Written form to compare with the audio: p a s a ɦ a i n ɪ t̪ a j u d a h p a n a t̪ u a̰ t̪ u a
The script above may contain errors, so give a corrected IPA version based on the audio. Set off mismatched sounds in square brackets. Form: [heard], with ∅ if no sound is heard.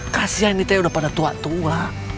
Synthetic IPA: [k] a s [i] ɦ a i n [i] t̪ a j u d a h p a [d] a t̪ u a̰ t̪ u a